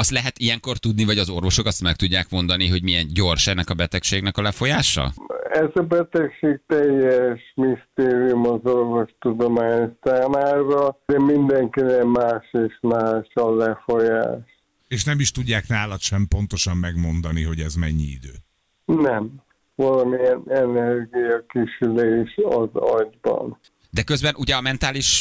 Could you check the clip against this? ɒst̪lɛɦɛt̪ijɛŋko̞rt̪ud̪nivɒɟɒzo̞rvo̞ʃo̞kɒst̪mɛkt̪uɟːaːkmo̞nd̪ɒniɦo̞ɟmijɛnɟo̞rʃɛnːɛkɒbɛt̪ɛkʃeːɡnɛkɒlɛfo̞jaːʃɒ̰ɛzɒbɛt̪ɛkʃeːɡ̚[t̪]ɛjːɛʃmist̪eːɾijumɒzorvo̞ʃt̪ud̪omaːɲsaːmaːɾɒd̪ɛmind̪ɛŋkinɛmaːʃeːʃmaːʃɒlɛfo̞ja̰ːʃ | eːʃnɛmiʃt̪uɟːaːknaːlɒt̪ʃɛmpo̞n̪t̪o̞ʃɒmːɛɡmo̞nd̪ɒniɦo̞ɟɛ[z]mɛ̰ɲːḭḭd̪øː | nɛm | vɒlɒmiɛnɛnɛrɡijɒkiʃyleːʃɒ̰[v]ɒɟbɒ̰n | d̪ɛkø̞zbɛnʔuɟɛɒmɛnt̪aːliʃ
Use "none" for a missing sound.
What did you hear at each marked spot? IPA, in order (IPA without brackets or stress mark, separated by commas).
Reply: t̪, z, z